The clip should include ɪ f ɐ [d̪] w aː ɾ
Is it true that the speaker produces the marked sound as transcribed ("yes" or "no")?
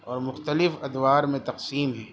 yes